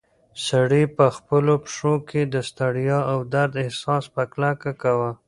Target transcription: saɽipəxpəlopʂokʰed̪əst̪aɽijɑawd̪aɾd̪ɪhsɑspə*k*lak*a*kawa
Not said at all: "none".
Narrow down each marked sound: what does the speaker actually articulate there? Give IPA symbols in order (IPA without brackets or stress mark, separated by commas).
k, a